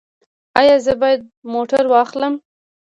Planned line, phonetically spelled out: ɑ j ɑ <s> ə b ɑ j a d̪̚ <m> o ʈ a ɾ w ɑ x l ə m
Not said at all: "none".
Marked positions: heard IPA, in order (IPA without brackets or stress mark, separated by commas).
z, m